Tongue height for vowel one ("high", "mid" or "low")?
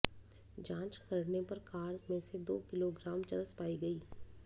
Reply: low